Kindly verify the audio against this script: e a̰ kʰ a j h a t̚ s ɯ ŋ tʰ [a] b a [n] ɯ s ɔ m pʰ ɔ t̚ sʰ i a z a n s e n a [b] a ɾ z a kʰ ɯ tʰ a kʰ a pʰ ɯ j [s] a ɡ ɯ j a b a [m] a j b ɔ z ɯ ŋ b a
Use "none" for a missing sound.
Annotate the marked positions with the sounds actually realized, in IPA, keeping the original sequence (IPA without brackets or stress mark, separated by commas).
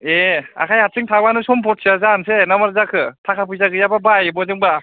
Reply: a, n, m, z, b